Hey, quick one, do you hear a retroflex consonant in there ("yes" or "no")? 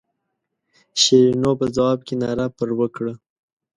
yes